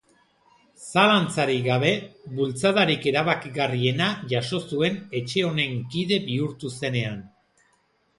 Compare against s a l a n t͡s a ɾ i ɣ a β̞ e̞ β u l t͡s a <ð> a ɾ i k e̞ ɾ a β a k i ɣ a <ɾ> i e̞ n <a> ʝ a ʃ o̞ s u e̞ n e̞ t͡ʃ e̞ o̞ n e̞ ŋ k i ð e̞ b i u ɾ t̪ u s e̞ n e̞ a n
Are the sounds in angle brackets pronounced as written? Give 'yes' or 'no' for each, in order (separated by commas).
yes, no, yes